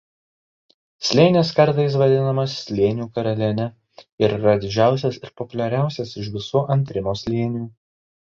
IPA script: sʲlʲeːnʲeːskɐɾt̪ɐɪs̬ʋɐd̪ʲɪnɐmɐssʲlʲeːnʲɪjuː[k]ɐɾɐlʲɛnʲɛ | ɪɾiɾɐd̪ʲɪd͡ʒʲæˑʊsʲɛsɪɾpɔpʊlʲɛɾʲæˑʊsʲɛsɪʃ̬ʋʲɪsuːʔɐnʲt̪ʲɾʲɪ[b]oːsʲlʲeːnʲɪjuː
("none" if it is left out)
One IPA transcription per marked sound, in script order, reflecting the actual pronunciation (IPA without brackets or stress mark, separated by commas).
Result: k, m